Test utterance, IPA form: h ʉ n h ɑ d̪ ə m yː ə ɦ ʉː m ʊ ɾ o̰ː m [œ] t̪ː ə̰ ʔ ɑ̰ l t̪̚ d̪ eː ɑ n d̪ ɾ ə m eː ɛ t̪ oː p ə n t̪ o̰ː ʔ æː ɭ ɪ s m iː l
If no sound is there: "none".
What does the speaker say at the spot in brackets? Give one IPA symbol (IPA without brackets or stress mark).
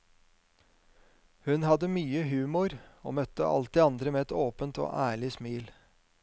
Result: œ